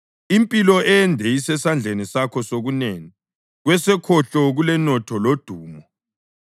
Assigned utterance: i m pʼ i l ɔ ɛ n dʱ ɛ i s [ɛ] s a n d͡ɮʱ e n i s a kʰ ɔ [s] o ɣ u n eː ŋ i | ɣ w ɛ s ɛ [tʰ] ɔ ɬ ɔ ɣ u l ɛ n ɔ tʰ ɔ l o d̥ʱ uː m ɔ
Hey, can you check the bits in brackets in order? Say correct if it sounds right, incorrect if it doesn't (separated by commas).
correct, correct, incorrect